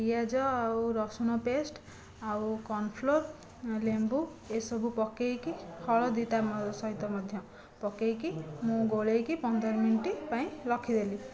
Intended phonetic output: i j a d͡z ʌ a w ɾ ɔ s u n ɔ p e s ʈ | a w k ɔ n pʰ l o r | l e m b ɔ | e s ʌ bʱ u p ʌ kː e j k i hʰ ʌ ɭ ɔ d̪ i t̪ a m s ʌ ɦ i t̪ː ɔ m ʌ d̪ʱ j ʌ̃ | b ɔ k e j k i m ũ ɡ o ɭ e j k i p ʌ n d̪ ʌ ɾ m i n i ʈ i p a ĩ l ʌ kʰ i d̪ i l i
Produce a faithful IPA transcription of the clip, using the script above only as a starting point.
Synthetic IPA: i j a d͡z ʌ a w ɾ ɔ s u n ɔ p e s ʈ | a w k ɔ n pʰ l o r | l e m b u | e s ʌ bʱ u p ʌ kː e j k i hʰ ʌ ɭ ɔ d̪ i t̪ a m s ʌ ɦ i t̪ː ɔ m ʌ d̪ʱ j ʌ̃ | p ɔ k e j k i m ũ ɡ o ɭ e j k i p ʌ n d̪ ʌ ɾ m i n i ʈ i p a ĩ l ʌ kʰ i d̪ e l i